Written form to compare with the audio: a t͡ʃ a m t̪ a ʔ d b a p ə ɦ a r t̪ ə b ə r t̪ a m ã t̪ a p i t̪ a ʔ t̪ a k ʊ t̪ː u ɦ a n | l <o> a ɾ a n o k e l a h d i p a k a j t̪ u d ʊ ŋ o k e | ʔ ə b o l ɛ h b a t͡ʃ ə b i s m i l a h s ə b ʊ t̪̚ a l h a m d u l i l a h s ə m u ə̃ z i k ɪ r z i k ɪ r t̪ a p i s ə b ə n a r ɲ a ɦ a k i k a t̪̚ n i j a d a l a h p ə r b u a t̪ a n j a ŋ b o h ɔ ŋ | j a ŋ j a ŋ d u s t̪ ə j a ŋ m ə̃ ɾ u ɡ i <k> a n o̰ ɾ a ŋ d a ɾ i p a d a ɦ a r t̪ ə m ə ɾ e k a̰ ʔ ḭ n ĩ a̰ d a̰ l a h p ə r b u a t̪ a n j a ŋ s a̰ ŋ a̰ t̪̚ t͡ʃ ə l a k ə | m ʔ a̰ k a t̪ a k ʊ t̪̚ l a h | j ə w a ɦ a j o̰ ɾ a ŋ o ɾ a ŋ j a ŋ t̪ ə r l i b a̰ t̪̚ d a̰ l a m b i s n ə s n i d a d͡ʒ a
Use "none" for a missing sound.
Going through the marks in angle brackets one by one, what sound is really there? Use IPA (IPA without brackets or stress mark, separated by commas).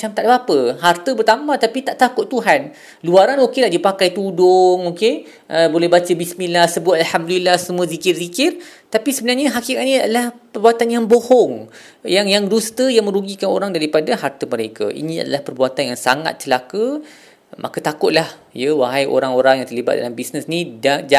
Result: u, k